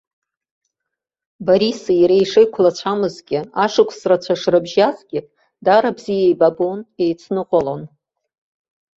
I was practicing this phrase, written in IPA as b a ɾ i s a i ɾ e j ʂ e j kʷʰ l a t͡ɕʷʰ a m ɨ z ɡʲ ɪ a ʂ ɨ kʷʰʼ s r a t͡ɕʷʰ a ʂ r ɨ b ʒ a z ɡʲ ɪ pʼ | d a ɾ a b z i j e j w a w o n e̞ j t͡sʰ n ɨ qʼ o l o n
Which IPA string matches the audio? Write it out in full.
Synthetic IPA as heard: b a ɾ i s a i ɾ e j ʂ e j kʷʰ l a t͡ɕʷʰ a m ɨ z ɡʲ ɪ a ʂ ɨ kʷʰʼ s r a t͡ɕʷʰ a ʂ r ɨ b ʒ a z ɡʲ ɪ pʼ | d a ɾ a b z i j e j b a b o n e̞ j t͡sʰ n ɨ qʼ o l o n